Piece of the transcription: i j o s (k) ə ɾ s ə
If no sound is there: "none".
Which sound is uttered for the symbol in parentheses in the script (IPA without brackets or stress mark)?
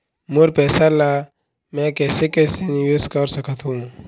k